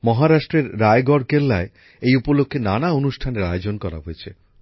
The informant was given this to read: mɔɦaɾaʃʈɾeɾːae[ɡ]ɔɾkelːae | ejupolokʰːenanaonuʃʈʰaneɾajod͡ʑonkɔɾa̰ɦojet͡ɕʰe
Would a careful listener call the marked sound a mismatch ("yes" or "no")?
no